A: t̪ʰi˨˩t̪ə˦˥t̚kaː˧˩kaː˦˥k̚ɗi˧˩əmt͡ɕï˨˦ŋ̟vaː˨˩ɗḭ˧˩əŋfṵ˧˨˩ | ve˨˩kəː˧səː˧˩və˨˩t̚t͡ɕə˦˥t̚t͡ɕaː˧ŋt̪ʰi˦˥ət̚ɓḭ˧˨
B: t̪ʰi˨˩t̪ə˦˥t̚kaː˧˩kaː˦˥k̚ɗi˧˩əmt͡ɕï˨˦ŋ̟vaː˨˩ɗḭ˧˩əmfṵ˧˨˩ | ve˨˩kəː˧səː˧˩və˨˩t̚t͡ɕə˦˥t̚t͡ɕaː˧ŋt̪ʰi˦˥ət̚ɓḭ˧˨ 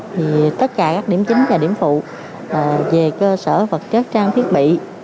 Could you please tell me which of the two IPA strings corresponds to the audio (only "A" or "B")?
B